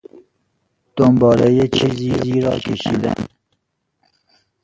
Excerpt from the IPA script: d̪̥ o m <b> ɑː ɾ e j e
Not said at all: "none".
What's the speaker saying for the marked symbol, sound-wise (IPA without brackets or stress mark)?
b